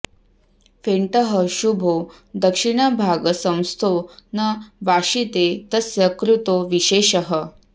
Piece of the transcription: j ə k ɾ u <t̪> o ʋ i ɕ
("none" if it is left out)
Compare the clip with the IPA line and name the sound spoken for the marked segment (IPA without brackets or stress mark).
t̪